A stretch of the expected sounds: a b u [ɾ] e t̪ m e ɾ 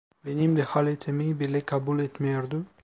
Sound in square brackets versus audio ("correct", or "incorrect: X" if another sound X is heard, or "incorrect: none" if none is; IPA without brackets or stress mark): incorrect: l